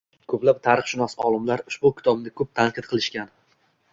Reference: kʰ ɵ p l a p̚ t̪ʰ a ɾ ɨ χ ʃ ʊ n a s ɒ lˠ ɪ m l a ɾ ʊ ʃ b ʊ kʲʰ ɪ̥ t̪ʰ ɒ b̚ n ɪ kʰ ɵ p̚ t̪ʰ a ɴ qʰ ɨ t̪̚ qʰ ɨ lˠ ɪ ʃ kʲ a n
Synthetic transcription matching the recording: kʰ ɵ p l a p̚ t̪ʰ a ɾ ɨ χ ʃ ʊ n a s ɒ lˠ ɪ m l a ɾ ʊ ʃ b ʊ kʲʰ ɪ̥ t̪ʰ ɒ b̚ n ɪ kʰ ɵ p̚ t̪ʰ a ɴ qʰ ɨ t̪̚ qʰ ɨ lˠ ɪ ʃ kʲ a n